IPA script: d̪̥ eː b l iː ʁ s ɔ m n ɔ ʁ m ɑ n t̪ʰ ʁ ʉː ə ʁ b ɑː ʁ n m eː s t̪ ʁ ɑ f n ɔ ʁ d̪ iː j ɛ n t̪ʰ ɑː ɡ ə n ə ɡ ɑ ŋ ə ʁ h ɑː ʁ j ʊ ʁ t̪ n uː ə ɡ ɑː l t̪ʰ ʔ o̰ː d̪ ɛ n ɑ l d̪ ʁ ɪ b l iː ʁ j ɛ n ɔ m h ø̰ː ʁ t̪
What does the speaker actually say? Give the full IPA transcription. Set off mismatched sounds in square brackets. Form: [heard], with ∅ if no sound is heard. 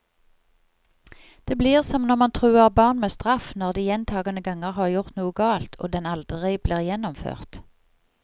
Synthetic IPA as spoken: d̪̥ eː b l iː ʁ s ɔ m n ɔ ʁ m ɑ n t̪ʰ ʁ ʉː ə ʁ b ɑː ʁ n m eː s t̪ ʁ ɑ f n ɔ ʁ d̪ iː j ɛ n t̪ʰ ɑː ɡ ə n ə ɡ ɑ ŋ ə ʁ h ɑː ʁ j ʊ ʁ t̪ n uː ə ɡ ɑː l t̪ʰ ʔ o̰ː d̪ ɛ n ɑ l d̪ ʁ ɪ b l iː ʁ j ɛ n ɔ m [f] ø̰ː ʁ t̪